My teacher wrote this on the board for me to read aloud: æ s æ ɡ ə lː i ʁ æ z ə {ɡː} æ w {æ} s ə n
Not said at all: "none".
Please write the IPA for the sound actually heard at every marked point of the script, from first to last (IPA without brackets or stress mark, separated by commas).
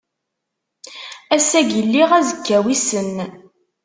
kː, i